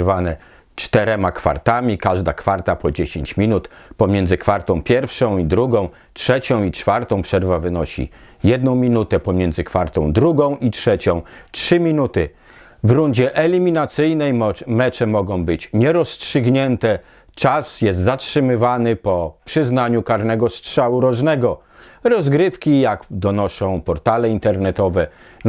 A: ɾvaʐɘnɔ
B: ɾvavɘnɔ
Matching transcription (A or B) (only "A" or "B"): B